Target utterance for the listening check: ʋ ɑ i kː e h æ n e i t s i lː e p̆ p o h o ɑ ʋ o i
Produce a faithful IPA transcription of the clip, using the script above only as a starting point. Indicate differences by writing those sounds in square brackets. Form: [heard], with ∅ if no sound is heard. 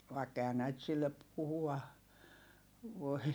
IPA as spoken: ʋ ɑ i kː e h æ n [æ] i t s i lː e p̆ p [u] h [u] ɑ ʋ o i